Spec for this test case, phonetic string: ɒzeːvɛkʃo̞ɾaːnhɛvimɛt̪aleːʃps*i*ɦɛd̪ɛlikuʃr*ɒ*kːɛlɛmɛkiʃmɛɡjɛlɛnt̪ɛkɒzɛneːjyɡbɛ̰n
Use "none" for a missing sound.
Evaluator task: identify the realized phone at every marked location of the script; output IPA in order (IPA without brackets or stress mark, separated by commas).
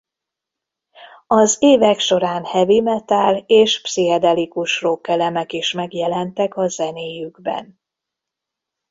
i, o